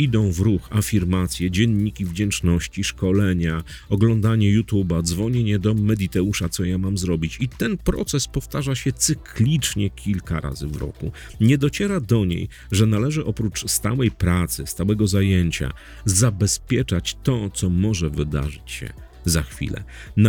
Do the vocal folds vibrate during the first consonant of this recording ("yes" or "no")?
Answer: yes